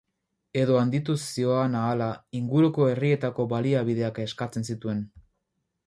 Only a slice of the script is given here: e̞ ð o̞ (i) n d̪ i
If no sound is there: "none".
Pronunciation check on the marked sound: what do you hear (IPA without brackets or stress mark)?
a